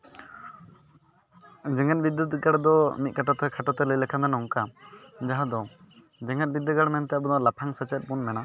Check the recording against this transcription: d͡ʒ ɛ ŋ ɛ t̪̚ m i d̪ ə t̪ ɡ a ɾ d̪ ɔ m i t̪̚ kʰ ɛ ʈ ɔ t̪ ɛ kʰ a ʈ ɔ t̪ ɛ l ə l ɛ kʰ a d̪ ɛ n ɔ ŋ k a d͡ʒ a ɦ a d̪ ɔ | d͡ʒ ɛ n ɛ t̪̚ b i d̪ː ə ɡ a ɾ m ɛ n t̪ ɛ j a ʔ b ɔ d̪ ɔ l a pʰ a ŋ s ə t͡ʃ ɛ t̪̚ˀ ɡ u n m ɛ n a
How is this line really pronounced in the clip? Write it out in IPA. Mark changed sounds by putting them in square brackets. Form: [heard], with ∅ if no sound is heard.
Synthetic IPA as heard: d͡ʒ ɛ ŋ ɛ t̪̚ [b] i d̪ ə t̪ ɡ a [ɽ] d̪ ɔ m i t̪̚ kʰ [a] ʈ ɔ t̪ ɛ kʰ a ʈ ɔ t̪ ɛ l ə l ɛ kʰ a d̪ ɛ n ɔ ŋ k a d͡ʒ a ɦ a d̪ ɔ | d͡ʒ ɛ [ŋ] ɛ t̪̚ b i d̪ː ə ɡ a [ɽ] m ɛ n t̪ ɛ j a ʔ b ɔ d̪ ɔ l a pʰ a ŋ s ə t͡ʃ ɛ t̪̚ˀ [b] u n m ɛ n a